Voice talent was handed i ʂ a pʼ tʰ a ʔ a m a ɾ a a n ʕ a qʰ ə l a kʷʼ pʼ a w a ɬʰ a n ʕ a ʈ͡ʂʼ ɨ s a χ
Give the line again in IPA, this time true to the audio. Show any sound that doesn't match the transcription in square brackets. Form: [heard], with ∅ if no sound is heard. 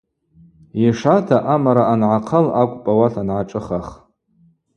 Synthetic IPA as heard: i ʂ a [∅] tʰ a ʔ a m a ɾ a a n ʕ a qʰ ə l a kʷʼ pʼ a w a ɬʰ a n ʕ a ʈ͡ʂʼ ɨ [χ] a χ